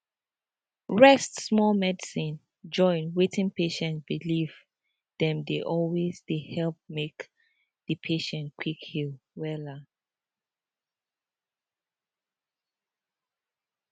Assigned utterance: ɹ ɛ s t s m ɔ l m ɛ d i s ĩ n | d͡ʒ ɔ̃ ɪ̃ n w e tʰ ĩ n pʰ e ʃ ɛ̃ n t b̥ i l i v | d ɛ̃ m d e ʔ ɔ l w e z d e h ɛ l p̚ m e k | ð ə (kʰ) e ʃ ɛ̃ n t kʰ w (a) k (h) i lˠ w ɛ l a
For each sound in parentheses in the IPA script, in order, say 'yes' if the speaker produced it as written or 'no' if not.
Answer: no, no, yes

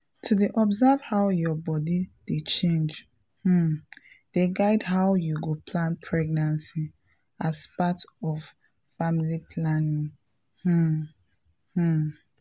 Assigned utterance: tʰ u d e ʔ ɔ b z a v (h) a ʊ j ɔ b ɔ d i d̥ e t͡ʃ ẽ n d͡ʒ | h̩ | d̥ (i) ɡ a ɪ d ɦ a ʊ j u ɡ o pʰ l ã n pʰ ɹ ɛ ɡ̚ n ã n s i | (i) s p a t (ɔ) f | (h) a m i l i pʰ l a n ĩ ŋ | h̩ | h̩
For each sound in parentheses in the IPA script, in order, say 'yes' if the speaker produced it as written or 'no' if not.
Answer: yes, no, no, yes, no

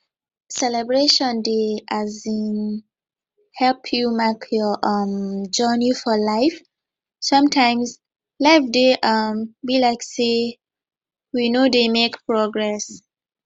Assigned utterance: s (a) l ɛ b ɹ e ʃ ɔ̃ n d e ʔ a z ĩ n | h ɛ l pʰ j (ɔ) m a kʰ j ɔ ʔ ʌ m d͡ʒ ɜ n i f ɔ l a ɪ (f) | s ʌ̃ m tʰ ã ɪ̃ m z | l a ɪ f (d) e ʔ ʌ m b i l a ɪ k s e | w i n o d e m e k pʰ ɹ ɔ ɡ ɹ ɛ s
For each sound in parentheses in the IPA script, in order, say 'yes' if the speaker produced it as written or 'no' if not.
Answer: no, no, yes, yes

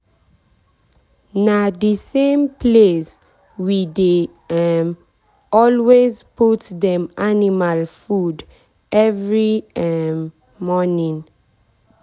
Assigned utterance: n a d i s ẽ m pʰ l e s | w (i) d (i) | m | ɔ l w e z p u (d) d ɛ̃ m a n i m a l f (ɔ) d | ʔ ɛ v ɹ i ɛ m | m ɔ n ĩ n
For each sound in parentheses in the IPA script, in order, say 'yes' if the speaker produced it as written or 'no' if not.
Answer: yes, no, no, no

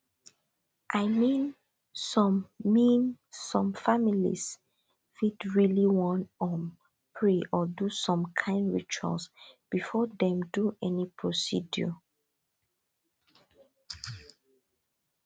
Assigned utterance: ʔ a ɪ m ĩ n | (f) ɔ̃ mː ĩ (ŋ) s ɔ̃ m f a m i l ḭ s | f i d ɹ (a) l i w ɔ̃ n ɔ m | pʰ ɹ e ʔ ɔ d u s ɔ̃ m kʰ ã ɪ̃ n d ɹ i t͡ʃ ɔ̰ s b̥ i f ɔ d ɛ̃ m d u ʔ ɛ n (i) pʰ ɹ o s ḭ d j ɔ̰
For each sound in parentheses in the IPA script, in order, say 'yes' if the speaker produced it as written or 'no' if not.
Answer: no, no, no, yes

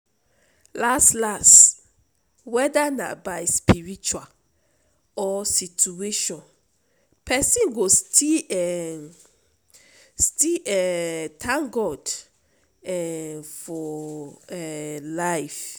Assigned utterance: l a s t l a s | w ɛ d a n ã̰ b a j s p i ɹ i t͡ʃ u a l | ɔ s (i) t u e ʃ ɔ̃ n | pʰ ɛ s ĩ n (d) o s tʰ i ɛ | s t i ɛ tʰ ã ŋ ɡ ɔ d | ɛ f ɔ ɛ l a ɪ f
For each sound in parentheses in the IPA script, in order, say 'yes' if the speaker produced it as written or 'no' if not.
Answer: yes, no

